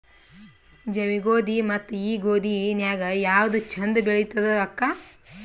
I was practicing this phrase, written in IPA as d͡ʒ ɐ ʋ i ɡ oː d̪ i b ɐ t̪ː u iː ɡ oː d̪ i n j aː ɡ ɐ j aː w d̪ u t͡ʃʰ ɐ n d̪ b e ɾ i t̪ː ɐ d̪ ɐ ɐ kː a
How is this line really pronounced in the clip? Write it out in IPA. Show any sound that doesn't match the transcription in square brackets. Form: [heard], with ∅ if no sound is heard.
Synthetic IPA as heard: d͡ʒ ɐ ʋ i ɡ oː d̪ i [m] ɐ t̪ː u iː ɡ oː d̪ i n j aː ɡ ɐ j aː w d̪ u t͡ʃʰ ɐ n d̪ b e [ɭ] i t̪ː ɐ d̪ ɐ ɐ kː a